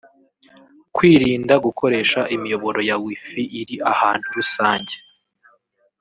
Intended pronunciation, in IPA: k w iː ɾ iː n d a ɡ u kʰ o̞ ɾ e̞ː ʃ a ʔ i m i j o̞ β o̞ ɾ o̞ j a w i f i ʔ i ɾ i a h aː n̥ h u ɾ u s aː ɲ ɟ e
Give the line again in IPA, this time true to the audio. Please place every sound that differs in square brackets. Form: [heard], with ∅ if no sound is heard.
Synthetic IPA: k w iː ɾ iː n d a ɡ u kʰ o̞ ɾ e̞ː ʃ a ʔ i m i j o̞ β o̞ ɾ o̞ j a w i f i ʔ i ɾ i a h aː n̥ h u ɾ u s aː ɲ ɟ e